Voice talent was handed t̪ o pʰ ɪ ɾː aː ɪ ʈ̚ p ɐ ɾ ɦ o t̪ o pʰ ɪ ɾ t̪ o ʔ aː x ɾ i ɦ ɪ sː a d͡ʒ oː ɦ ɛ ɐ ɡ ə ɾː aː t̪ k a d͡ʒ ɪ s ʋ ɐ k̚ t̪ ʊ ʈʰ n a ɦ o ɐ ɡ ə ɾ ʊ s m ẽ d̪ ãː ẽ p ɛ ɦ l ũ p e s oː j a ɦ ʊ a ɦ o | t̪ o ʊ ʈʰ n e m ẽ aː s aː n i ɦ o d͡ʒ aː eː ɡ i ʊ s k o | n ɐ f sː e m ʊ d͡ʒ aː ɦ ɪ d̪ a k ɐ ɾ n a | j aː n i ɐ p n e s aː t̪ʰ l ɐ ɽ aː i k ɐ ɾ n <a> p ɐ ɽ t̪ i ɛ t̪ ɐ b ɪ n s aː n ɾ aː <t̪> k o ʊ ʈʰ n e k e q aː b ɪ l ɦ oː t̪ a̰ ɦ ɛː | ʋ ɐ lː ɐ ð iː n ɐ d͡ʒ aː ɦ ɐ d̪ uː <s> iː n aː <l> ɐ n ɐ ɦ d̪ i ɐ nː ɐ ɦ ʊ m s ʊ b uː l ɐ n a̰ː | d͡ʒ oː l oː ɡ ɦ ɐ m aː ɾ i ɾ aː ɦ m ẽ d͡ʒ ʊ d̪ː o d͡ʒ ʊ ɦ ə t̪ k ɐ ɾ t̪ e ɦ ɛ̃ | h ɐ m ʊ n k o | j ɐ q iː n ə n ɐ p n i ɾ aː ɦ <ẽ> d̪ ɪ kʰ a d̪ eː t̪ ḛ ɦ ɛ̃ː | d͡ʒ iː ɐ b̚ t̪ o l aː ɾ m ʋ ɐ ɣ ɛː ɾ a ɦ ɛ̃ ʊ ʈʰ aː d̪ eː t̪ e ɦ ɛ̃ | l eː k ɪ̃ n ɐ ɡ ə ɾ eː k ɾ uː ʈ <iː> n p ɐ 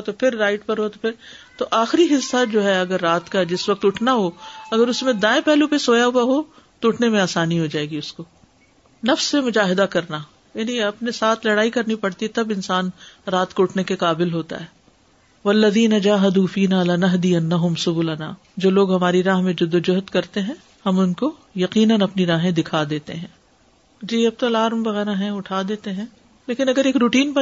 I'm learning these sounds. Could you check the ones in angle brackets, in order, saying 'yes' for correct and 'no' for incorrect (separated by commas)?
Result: no, yes, no, yes, yes, yes